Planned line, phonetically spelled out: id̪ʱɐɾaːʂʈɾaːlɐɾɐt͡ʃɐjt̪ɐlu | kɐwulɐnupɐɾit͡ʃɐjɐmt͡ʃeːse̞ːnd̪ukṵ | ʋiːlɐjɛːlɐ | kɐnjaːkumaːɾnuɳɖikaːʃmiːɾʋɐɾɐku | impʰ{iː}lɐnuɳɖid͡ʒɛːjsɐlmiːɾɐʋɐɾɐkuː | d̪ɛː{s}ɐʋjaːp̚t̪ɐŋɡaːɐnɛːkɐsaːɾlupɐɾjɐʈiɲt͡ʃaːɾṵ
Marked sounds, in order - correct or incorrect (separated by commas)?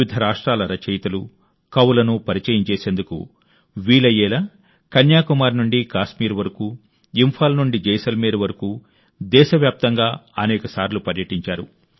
incorrect, incorrect